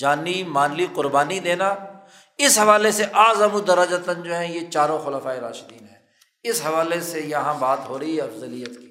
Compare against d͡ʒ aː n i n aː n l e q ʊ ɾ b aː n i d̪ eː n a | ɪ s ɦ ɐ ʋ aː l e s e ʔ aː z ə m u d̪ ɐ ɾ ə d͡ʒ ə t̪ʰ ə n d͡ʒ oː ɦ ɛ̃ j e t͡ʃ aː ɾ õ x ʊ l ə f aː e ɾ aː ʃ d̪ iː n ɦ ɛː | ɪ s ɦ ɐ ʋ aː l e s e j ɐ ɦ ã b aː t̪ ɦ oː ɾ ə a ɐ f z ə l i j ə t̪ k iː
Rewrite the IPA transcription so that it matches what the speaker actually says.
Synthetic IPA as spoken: d͡ʒ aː n i m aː n l i q ʊ ɾ b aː n i d̪ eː n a | ɪ s ɦ ɐ ʋ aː l e s e ʔ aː z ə m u d̪ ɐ ɾ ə d͡ʒ ə t̪ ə n d͡ʒ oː ɦ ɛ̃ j e t͡ʃ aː ɾ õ x ʊ l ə f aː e ɾ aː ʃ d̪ iː n ɦ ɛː | ɪ s ɦ ɐ ʋ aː l e s e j ɐ ɦ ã b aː t̪ ɦ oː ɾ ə i ɐ f z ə l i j ə t̪ k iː